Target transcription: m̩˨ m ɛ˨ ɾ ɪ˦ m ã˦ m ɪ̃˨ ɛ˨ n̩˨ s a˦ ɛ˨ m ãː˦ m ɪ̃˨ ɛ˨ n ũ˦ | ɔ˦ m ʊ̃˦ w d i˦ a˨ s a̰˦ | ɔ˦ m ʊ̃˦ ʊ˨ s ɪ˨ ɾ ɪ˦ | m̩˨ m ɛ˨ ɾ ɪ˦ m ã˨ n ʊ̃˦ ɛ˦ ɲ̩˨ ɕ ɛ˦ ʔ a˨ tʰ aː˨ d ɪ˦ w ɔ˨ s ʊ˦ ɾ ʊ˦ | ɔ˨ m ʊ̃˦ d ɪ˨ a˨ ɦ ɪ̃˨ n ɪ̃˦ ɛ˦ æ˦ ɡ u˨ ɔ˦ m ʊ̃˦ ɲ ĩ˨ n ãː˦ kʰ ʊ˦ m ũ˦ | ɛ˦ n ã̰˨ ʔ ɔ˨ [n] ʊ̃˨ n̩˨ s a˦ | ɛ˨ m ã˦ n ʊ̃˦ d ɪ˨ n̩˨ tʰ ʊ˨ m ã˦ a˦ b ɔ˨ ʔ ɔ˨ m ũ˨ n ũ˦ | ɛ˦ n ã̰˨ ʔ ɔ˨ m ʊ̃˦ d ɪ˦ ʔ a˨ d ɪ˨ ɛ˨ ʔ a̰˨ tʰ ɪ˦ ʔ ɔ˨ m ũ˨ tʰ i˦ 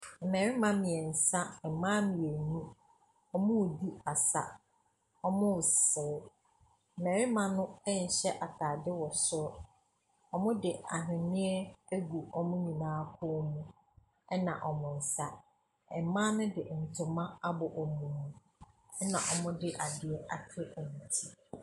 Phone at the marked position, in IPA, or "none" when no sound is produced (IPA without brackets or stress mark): m